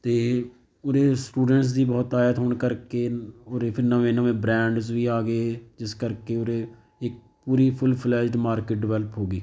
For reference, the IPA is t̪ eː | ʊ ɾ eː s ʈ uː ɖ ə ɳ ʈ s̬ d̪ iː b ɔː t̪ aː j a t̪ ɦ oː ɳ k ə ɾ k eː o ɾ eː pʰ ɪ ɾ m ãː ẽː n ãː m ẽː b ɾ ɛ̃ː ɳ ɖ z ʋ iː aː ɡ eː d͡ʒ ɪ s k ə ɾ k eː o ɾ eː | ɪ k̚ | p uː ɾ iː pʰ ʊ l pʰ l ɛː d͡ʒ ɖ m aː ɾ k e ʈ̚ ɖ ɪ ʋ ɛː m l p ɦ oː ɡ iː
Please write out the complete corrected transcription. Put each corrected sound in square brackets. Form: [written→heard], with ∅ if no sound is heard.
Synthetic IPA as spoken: t̪ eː | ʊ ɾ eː s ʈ uː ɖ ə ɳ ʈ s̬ d̪ iː b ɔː t̪ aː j [a→ə] t̪ ɦ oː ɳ k ə ɾ k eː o ɾ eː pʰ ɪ ɾ [m→n] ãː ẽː n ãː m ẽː b ɾ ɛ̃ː ɳ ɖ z ʋ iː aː ɡ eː d͡ʒ ɪ s k ə ɾ k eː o ɾ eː | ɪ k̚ | p uː ɾ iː pʰ ʊ l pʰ l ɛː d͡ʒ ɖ m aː ɾ k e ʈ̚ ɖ ɪ ʋ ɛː [m→∅] l p ɦ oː ɡ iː